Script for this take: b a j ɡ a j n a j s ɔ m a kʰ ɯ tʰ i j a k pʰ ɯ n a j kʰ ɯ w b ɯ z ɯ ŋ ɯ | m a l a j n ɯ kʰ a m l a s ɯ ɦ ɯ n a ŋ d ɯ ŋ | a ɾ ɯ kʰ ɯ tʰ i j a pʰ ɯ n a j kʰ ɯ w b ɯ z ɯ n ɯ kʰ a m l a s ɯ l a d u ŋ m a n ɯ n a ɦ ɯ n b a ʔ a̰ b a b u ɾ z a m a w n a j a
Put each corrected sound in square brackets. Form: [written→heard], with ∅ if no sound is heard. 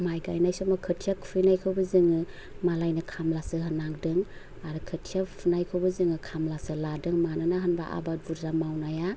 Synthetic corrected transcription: [b→m] a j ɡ a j n a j s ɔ m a kʰ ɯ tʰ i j a k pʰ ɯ n a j kʰ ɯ w b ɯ z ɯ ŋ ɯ | m a l a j n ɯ kʰ a m l a s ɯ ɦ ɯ n a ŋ d ɯ ŋ | a ɾ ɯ kʰ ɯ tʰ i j a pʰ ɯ n a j kʰ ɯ w b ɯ z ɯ [n→ŋ] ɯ kʰ a m l a s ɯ l a d [u→ɯ] ŋ m a n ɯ n a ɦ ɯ n b a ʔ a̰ b a b u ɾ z a m a w n a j a